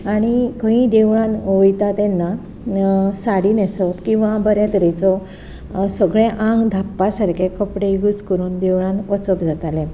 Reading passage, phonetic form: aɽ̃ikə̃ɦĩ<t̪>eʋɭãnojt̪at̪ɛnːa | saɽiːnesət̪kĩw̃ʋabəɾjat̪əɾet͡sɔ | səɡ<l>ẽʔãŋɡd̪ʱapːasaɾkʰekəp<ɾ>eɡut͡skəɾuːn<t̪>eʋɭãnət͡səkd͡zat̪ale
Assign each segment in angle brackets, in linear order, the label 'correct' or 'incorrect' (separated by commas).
incorrect, incorrect, incorrect, incorrect